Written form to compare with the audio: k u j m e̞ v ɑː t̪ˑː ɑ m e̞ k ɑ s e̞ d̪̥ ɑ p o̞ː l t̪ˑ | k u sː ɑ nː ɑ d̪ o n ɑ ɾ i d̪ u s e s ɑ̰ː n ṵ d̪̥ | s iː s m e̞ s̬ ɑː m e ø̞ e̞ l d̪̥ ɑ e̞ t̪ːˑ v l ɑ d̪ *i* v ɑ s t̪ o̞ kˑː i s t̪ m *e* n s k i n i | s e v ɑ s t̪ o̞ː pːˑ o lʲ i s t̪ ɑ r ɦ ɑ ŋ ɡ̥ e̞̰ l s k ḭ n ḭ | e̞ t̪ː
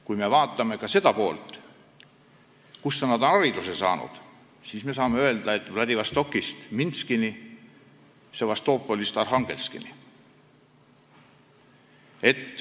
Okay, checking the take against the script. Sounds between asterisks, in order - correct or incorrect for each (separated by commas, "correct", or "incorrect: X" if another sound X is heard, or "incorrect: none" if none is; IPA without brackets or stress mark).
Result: correct, incorrect: i